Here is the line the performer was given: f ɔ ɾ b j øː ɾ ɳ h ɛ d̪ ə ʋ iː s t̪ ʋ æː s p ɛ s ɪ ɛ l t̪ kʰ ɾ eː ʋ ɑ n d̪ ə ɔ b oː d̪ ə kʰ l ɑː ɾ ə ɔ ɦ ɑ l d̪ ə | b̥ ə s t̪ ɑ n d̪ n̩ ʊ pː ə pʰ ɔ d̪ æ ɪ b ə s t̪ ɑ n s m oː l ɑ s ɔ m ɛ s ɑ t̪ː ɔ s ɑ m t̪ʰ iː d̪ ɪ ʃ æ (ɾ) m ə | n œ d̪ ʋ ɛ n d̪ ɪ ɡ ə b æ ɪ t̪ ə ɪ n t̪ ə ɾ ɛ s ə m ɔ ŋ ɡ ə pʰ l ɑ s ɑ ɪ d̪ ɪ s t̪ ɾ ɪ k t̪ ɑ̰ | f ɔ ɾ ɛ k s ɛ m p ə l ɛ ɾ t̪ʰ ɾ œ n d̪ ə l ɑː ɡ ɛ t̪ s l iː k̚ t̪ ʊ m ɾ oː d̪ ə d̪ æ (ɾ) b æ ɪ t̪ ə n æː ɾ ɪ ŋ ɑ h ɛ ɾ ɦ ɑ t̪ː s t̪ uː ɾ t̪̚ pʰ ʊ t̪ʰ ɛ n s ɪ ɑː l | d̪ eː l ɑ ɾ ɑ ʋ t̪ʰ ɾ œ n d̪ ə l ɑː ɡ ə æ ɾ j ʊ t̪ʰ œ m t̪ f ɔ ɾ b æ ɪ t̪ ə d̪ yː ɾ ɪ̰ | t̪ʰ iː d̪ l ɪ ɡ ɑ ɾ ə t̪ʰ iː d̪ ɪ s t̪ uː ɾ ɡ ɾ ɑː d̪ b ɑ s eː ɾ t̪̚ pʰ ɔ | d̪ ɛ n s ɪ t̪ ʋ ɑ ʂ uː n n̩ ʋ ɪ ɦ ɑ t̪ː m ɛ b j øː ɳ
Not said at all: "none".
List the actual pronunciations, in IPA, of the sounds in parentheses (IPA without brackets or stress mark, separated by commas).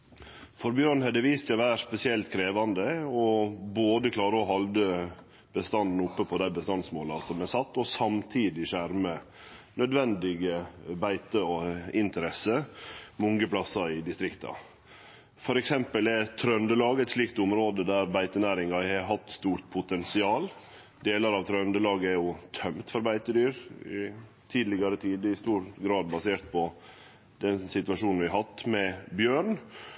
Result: ɾ, ɾ